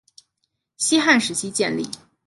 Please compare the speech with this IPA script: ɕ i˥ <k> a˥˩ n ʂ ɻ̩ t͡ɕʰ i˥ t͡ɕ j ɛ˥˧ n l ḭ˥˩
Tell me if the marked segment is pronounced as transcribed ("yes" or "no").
no